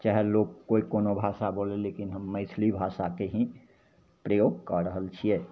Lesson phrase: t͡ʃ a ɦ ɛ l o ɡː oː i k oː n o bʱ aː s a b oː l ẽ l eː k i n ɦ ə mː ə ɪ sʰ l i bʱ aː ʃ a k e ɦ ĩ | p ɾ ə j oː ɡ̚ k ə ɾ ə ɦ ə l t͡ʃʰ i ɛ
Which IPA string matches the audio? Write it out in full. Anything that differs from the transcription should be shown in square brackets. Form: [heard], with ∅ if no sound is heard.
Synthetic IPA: t͡ʃ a ɦ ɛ l o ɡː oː i k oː n o bʱ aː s a b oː l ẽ l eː k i n ɦ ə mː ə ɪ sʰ l i bʱ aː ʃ a k e ɦ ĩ | p ɾ ə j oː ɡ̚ k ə ɾ ə ɦ ə l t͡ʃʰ i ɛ